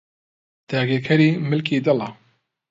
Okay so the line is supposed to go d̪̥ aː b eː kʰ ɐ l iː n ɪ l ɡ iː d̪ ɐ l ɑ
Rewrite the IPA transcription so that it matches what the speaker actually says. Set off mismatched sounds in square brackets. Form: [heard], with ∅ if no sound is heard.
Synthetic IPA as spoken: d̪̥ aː [ɡ] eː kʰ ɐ [ɾ] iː [m] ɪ l [k] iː d̪ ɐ l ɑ